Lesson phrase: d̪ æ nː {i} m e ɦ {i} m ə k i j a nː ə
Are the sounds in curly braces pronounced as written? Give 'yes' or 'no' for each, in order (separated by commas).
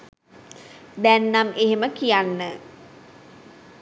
no, no